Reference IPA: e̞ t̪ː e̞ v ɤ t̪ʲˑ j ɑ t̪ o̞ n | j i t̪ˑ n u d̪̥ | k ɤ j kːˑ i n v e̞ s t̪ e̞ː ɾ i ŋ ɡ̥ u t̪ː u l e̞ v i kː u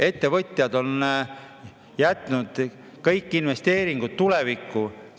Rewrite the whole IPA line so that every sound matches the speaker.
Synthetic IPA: e̞ t̪ː e̞ v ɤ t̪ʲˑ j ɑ d̪ o̞ n | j æ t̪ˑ n u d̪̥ | k ɤ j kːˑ i n v e̞ s t̪ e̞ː ɾ i ŋ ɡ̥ u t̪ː u l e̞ v i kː u